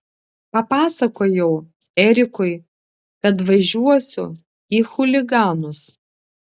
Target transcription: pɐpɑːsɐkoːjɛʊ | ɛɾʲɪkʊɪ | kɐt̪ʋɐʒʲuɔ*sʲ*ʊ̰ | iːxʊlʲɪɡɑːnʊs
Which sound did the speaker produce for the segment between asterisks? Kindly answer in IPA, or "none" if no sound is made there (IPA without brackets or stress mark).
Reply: sʲ